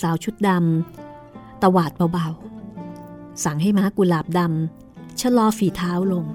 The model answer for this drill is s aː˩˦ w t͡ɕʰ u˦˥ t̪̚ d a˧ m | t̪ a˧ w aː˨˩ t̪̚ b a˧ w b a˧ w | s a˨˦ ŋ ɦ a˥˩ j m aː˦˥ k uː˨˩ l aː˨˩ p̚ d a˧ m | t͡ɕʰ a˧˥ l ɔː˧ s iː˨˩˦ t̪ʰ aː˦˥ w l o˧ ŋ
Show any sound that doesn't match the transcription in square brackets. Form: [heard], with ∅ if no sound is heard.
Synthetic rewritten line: s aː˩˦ w t͡ɕʰ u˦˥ t̪̚ d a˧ m | t̪ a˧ w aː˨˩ t̪̚ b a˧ w b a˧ w | s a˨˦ ŋ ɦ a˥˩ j m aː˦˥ k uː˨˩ l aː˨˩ p̚ d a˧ m | t͡ɕʰ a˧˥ l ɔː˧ [f] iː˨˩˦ t̪ʰ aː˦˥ w l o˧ ŋ